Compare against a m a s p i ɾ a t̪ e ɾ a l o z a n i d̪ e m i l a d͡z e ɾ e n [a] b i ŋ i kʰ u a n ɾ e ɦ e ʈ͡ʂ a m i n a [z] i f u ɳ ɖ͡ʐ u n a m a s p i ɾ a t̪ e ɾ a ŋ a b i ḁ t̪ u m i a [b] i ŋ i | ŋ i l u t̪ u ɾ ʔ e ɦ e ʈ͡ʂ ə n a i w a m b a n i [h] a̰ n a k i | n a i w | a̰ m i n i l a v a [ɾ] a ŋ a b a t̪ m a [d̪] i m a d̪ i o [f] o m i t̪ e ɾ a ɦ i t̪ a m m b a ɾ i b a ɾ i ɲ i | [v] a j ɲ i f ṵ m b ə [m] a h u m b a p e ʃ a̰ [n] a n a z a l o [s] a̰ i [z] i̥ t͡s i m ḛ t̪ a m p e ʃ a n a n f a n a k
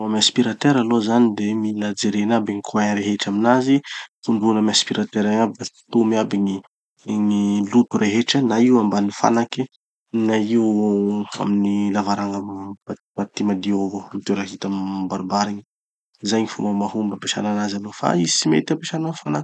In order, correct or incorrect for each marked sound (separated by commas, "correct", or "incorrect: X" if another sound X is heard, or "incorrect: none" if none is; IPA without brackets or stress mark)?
correct, correct, correct, incorrect: f, correct, incorrect: t̪, incorrect: v, incorrect: z, correct, correct, incorrect: f, correct